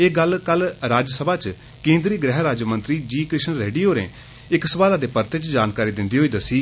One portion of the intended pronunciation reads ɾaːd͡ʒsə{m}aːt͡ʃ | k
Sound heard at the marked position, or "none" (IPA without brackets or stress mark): b